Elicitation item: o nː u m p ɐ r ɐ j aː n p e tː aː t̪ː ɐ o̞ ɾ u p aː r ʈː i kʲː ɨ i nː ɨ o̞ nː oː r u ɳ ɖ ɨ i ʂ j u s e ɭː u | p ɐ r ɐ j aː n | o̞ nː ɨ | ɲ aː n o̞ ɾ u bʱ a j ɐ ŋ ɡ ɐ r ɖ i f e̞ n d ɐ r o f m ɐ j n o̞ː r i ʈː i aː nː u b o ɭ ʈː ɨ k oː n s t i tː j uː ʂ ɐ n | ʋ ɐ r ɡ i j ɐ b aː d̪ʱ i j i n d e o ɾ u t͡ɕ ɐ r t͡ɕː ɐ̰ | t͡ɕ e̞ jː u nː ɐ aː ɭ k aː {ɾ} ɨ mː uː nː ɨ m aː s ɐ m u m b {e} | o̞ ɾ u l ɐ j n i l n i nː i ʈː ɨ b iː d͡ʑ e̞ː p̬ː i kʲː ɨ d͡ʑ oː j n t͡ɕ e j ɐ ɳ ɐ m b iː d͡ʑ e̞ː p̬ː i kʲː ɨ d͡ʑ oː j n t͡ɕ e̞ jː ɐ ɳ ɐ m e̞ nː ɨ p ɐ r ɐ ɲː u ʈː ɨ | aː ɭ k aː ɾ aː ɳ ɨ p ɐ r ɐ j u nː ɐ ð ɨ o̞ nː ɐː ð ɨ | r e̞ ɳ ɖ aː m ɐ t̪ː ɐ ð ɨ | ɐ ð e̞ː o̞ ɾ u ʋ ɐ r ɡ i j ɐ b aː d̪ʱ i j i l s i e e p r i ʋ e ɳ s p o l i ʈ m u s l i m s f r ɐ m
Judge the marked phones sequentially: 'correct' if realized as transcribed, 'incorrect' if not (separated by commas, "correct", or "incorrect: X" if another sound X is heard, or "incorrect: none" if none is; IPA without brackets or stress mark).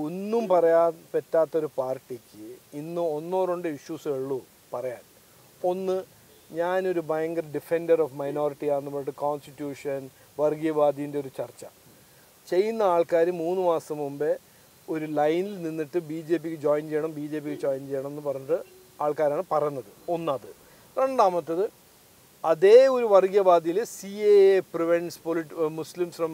correct, correct